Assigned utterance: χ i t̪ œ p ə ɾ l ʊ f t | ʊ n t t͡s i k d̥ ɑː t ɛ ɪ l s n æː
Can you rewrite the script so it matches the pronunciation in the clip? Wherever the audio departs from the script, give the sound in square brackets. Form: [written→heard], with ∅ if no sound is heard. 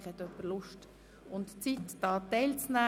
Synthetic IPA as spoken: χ [i→ɛ] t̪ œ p ə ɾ l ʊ [f→ʃ] t | ʊ n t t͡s i [k→t] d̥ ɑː t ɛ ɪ l [s→t͡s] n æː